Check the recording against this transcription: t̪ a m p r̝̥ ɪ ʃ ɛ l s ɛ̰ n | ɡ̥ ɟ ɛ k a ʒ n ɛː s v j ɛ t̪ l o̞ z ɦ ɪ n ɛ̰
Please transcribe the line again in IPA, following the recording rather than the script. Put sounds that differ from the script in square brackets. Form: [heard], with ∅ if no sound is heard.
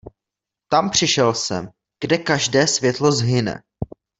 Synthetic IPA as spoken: t̪ a m p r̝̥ ɪ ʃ ɛ l s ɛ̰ [m] | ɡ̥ [d] ɛ k a ʒ [d] ɛː s v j ɛ t̪ l o̞ z ɦ ɪ n ɛ̰